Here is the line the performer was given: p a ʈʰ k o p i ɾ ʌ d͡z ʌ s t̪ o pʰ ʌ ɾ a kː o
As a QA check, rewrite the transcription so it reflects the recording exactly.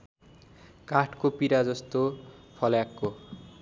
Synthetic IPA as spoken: k a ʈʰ k o p i ɾ a d͡z ʌ s t̪ o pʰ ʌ l a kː o